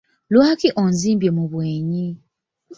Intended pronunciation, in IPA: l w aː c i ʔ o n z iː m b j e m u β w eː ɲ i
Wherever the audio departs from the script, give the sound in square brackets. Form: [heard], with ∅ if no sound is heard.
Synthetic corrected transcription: l w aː [k] i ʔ o n z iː m b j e m u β w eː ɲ i